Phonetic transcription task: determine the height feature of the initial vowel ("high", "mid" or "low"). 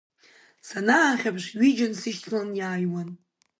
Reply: low